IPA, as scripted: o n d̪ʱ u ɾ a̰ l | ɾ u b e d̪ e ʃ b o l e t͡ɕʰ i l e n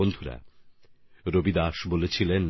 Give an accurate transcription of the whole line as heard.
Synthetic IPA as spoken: o n d̪ʱ u ɾ a̰ | ɾ o b i d̪ a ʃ b o l e t͡ɕʰ i l e n

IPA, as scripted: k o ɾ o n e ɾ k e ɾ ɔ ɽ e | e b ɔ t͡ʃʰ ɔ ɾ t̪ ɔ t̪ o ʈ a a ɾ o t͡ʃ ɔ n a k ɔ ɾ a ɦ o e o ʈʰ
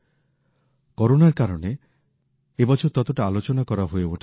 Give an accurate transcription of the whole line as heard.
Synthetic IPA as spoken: k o ɾ o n a ɾ k a ɾ ɔ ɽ e | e b ɔ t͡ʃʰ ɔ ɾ t̪ ɔ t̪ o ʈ a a l o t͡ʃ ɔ n a k ɔ ɾ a ɦ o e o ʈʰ

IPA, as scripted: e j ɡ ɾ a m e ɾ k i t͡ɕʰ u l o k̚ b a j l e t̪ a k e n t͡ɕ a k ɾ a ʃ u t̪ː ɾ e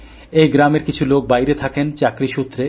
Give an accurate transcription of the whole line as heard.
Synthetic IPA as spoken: e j ɡ ɾ a m e ɾ k i t͡ɕʰ u l o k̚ b a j ɾ e t̪ʰ a k e n t͡ɕ a k ɾ i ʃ u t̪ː ɾ e

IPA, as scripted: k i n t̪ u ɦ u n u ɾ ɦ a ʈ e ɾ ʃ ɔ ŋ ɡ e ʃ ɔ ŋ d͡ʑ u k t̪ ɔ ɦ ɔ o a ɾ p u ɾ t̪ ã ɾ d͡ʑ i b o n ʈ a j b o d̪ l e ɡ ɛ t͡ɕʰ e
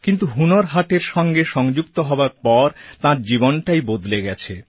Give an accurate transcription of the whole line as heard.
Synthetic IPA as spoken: k i n t̪ u ɦ u n o ɾ ɦ a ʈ e ɾ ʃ ɔ ŋ ɡ e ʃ ɔ ŋ d͡ʑ u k t̪ o ɦ ɔ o a ɾ p ɔ ɾ t̪ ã ɾ d͡ʑ i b o n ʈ a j b o d̪ l e ɡ ɛ t͡ɕʰ e

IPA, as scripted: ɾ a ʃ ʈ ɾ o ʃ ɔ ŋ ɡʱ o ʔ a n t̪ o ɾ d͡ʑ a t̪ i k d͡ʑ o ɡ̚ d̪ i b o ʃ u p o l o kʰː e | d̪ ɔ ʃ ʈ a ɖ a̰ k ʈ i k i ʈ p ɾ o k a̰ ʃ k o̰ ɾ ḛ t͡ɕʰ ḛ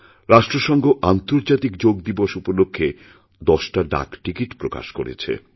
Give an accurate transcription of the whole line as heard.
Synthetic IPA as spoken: ɾ a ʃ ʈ ɾ o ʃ ɔ ŋ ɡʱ o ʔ a n t̪ o ɾ d͡ʑ a t̪ i k d͡ʑ o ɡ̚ d̪ i b o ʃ u p o l o kʰː e | d̪ ɔ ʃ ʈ a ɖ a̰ k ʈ i k i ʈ p ɾ o k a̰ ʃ k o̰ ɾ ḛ t͡ɕʰ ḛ

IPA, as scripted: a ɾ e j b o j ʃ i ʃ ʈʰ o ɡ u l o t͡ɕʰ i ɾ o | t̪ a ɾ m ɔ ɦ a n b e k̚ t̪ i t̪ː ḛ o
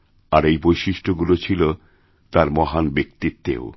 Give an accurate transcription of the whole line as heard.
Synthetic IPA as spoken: a ɾ e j b o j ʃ i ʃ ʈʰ o ɡ u l o t͡ɕʰ i l o | t̪ a ɾ m ɔ ɦ a n b e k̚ t̪ i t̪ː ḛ o

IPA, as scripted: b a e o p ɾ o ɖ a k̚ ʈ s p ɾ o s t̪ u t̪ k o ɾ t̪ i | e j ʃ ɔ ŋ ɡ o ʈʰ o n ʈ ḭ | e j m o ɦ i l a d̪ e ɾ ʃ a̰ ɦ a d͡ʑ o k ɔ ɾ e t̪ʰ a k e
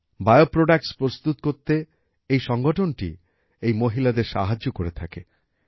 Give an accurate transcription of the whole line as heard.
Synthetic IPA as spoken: b a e o p ɾ o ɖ a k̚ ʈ s p ɾ o s t̪ u t̪ k o ɾ t̪ e | e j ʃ ɔ ŋ ɡ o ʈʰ o n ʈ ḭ | e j m o ɦ i l a d̪ e ɾ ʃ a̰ ɦ a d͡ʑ o k o ɾ e t̪ʰ a k e

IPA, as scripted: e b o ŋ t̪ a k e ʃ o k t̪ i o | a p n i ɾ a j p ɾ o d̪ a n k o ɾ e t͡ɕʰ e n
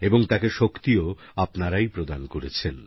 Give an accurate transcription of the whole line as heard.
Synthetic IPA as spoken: e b o ŋ t̪ a k e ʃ o k t̪ i o | a p n a ɾ a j p ɾ o d̪ a n k o ɾ e t͡ɕʰ e n

